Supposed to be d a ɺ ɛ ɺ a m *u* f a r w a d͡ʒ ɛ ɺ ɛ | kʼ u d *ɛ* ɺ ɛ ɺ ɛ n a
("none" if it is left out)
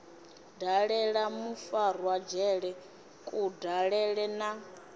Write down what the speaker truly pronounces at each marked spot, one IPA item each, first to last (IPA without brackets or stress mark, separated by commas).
u, a